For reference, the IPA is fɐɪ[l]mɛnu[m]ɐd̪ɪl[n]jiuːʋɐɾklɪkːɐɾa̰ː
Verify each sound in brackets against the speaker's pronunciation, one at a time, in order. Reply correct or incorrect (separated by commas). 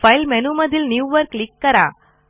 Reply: correct, correct, correct